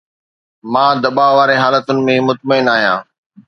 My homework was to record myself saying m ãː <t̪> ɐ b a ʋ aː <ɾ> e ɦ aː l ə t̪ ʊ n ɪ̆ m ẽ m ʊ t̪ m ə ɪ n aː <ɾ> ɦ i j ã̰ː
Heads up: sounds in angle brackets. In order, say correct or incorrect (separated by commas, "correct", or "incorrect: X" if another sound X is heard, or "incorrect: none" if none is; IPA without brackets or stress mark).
incorrect: d̪, correct, incorrect: none